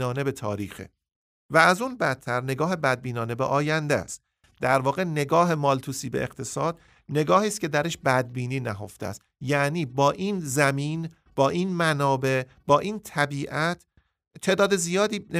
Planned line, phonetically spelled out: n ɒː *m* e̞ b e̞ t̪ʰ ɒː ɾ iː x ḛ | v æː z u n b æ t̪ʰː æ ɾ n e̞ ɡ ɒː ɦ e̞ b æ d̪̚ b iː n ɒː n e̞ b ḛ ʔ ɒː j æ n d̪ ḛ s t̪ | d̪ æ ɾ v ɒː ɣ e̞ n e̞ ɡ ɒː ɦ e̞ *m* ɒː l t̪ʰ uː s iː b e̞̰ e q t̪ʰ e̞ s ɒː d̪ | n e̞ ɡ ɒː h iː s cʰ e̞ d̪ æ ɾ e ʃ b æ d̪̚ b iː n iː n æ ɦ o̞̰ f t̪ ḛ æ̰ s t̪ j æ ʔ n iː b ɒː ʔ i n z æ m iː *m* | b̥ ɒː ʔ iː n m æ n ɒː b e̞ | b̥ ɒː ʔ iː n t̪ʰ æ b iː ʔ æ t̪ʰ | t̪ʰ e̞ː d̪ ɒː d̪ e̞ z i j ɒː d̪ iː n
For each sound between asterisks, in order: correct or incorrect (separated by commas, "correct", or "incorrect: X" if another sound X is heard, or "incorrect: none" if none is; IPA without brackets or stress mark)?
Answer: incorrect: n, correct, incorrect: n